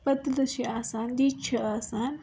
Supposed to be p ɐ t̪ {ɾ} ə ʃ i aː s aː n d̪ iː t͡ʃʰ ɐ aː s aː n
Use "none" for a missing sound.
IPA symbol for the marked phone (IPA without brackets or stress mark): l